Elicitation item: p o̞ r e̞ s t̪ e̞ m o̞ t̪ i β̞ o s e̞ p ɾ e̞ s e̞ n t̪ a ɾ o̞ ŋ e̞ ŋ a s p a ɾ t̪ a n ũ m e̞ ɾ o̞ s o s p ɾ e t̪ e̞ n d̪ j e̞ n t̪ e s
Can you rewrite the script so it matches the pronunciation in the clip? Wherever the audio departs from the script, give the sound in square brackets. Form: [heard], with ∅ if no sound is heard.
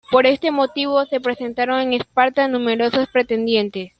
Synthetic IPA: p o̞ [ɾ] e̞ s t̪ e̞ m o̞ t̪ i β̞ o s e̞ p ɾ e̞ s e̞ n t̪ a ɾ o̞ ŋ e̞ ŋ [e] s p a ɾ t̪ a n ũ m e̞ ɾ o̞ s o s p ɾ e t̪ e̞ n d̪ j e̞ n t̪ e s